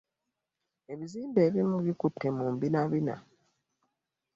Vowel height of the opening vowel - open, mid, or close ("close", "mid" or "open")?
mid